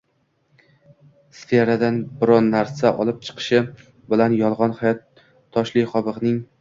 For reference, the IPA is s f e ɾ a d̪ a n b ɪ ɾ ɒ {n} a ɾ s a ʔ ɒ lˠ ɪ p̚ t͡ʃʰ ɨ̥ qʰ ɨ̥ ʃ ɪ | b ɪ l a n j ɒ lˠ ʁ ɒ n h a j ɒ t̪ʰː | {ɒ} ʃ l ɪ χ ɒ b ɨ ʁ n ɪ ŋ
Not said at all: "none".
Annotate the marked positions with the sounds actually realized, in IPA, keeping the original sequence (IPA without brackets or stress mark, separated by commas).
nː, ɒ